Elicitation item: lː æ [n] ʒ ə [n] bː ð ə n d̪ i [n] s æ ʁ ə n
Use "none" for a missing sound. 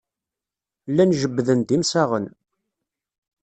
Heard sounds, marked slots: n, none, m

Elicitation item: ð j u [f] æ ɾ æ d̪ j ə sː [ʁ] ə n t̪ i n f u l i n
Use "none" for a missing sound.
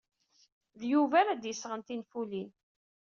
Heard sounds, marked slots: v, ʁ

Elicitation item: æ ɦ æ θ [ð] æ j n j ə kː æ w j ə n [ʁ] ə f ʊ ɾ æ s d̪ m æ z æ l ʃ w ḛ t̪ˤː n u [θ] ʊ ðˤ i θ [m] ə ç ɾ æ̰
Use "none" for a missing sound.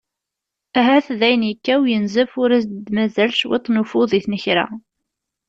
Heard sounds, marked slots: ð, z, f, n

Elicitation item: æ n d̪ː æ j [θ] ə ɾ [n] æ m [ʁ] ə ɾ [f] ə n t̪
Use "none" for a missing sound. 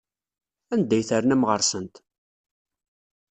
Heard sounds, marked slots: θ, n, ʁ, s

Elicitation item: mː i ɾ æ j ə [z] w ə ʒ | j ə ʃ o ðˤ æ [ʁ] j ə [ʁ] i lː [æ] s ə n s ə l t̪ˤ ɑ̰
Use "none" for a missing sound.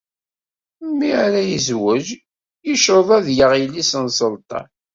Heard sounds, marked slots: z, ð, ʁ, i

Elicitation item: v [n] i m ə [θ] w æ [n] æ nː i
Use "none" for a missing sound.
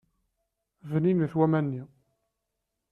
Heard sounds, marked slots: n, θ, m

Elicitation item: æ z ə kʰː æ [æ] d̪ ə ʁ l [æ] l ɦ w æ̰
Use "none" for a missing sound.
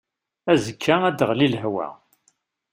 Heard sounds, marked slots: æ, i

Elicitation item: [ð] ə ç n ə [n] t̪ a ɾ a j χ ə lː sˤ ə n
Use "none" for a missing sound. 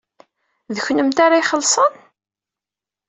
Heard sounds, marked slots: ð, m

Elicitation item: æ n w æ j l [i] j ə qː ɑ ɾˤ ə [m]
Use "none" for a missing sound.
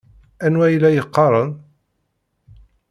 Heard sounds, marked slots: æ, n

